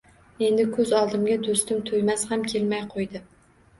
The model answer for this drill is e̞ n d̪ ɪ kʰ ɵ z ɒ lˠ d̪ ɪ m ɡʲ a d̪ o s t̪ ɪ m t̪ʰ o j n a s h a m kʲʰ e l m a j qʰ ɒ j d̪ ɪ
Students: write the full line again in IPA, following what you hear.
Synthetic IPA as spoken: e̞ n d̪ ɪ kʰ ɵ z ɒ lˠ d̪ ɪ m ɡʲ a d̪ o s t̪ ɪ m t̪ʰ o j m a s h a m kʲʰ e l m a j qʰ o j d̪ ɪ